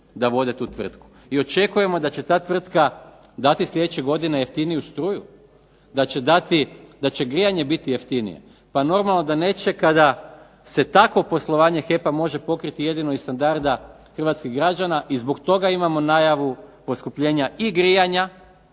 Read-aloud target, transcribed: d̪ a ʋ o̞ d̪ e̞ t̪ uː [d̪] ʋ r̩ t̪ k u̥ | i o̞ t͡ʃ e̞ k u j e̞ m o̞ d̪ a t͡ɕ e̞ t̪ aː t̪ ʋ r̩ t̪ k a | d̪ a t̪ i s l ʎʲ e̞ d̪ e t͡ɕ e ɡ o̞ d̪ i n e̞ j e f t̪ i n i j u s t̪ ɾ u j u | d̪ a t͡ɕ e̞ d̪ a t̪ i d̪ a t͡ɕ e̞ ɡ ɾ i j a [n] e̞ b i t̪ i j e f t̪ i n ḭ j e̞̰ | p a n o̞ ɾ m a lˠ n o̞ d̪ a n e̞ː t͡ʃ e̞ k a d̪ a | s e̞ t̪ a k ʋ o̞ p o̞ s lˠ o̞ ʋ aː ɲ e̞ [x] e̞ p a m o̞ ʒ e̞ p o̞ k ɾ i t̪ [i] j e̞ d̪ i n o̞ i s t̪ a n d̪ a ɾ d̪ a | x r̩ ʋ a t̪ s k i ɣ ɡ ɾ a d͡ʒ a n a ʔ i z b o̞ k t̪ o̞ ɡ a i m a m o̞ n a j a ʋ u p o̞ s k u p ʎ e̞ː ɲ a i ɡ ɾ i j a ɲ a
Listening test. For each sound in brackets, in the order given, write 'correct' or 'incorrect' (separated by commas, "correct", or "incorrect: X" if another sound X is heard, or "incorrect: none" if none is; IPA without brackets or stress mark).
incorrect: t̪, incorrect: ɲ, correct, correct